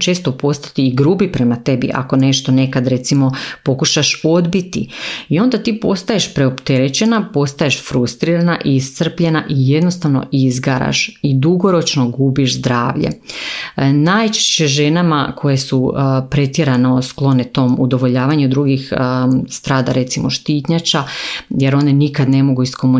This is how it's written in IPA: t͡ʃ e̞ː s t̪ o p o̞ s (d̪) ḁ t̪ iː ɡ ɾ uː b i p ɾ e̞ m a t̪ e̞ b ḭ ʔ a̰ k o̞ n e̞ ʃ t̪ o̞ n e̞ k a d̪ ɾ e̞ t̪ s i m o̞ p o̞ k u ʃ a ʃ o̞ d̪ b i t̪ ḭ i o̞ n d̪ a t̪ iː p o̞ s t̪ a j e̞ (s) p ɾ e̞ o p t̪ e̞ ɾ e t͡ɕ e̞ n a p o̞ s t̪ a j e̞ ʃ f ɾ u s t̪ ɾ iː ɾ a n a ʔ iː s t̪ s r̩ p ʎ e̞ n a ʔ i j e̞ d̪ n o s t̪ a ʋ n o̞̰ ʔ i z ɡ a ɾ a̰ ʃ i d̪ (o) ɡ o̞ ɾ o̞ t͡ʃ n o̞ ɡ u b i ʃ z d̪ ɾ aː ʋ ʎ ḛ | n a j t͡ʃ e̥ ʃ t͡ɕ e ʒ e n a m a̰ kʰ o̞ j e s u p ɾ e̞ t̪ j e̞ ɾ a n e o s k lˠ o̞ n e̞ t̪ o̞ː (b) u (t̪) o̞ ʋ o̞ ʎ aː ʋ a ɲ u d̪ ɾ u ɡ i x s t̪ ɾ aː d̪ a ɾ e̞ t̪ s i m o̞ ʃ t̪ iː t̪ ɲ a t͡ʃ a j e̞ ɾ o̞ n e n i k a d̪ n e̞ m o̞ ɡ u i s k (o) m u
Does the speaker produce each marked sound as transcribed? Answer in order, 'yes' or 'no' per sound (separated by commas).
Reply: no, no, no, no, no, yes